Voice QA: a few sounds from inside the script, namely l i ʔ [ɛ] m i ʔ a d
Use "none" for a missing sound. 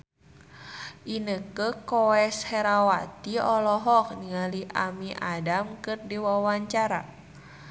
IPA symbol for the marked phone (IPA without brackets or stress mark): a